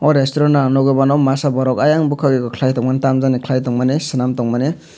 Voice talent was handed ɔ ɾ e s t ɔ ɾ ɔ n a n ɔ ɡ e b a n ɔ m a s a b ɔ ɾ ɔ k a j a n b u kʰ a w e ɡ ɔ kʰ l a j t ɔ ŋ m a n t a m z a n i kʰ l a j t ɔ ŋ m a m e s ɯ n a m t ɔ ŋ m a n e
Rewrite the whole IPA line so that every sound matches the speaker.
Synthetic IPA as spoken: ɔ ɾ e s t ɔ ɾ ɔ n a n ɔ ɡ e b a n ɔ m a s a b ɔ ɾ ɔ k a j a ŋ b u kʰ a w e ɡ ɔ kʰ l a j t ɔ ŋ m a n t a m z a n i kʰ l a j t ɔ ŋ m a n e s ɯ n a m t ɔ ŋ m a n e